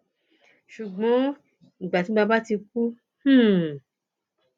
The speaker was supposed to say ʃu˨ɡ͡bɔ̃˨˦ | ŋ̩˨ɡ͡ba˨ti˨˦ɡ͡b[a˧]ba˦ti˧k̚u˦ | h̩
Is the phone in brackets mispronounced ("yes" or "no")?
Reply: no